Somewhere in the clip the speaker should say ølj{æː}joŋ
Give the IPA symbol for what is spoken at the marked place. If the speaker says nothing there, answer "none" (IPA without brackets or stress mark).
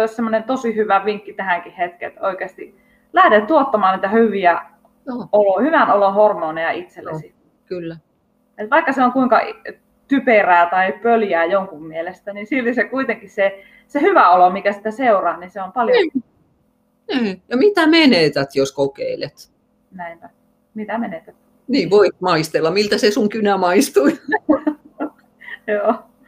æː